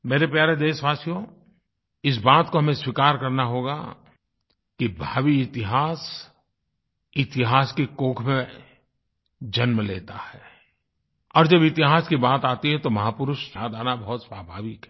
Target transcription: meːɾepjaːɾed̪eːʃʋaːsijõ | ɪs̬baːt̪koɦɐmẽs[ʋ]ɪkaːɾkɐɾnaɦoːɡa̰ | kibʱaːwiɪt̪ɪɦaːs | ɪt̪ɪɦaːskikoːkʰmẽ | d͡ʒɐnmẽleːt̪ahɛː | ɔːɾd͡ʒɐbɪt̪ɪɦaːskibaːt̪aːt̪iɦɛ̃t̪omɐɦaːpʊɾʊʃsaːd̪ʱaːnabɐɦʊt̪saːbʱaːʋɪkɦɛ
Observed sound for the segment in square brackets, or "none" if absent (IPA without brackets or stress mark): w